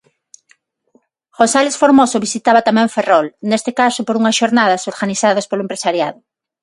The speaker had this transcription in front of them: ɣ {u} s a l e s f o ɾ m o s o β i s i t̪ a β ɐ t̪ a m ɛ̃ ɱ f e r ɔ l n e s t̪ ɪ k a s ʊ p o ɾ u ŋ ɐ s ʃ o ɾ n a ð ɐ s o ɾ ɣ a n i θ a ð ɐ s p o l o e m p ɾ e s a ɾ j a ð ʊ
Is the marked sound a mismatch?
yes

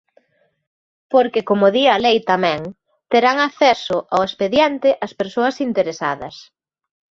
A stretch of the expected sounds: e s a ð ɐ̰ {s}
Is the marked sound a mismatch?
no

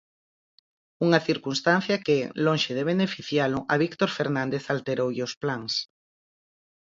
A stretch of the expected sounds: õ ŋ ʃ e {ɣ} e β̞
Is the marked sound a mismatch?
yes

